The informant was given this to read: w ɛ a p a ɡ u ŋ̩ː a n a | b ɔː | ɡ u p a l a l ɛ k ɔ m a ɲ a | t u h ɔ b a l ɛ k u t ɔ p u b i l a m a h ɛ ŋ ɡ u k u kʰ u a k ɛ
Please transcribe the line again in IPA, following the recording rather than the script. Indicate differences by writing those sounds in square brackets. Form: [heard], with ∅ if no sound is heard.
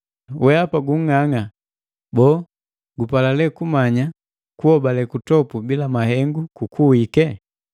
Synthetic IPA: w ɛ a p a ɡ u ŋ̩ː a [ŋ] a | b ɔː | ɡ u p a l a l ɛ k [u] m a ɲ a | [k] u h ɔ b a l ɛ k u t ɔ p u b i l a m a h ɛ ŋ ɡ u k u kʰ u [i] k ɛ